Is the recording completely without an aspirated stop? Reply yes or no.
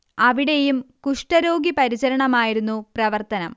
yes